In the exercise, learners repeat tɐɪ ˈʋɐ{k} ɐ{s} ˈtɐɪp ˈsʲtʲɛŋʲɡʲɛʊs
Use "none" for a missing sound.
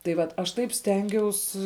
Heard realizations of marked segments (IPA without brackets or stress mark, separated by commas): t, ʃ